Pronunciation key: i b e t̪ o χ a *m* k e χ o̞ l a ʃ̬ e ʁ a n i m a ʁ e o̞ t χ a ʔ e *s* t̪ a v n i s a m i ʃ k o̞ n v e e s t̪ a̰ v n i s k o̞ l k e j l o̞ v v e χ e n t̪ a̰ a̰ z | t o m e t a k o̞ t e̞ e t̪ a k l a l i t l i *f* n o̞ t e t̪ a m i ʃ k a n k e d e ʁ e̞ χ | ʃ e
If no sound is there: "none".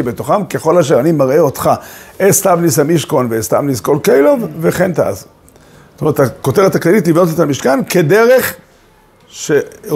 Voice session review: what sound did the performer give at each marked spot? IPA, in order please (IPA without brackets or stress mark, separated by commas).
m, s, v